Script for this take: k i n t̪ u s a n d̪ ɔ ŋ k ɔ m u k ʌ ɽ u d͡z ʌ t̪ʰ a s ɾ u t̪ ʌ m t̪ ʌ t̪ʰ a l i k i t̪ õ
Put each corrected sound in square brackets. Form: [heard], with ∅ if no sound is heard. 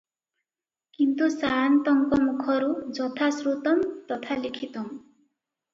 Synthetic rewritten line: k i n t̪ u s a n [t̪] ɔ ŋ k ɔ m u [kʰ] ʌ [ɾ] u d͡z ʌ t̪ʰ a s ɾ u t̪ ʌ m t̪ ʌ t̪ʰ a l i [kʰ] i t̪ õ